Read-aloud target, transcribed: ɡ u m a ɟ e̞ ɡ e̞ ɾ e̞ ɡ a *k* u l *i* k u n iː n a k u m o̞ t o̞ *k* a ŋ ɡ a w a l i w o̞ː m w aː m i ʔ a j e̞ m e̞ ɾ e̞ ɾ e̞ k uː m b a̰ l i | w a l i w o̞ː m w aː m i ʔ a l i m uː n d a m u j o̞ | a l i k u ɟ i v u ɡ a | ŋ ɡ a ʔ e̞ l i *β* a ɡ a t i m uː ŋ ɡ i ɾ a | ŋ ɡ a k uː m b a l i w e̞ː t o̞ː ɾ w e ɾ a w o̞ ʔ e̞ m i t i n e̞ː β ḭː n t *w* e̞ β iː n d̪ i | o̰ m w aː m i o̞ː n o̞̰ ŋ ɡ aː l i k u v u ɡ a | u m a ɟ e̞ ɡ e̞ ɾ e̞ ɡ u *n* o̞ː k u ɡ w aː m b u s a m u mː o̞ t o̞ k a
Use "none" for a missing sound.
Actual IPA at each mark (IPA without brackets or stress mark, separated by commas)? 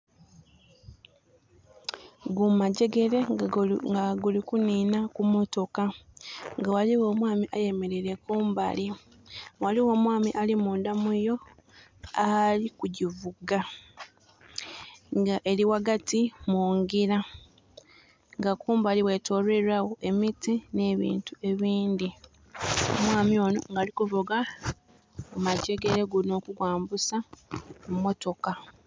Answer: ɡ, i, k, w, u, n